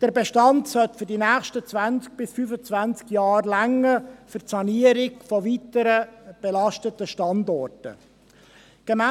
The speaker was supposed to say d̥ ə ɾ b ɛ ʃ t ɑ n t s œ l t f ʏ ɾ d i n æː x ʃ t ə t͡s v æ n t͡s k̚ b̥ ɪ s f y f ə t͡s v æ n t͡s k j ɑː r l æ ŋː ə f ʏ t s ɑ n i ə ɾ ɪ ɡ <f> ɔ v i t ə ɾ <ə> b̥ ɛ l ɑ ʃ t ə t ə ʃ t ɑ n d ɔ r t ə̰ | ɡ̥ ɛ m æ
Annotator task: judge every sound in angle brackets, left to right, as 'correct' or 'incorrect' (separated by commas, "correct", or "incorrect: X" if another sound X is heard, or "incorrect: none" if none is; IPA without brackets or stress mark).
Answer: correct, correct